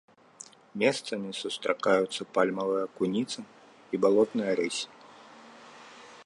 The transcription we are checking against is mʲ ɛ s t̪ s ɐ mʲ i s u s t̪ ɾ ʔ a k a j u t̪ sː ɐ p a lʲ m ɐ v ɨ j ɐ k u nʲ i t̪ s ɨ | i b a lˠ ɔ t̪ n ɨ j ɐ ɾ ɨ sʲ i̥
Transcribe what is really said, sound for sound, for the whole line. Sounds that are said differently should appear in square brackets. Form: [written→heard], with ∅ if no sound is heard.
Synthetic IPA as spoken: mʲ ɛ s t̪ s ɐ mʲ i s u s t̪ ɾ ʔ a k a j u t̪ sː ɐ p a lʲ m ɐ v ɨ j ɐ k u nʲ i t̪ s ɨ | i b a lˠ ɔ t̪ n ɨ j ɐ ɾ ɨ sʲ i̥